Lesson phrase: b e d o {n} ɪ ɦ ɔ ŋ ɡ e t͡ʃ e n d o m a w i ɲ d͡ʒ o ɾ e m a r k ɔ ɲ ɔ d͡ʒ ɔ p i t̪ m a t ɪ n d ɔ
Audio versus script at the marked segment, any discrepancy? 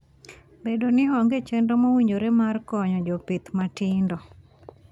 no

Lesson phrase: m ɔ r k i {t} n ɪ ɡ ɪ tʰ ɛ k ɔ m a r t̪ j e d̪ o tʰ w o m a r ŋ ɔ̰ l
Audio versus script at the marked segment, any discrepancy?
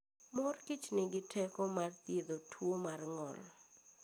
yes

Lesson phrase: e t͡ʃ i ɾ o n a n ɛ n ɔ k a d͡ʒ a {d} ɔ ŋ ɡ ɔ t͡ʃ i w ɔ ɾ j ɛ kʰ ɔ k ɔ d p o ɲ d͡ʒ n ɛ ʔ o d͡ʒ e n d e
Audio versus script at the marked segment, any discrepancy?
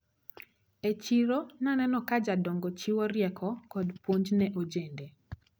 no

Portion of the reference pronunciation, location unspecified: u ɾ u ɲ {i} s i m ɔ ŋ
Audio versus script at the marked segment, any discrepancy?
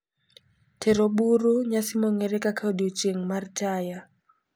yes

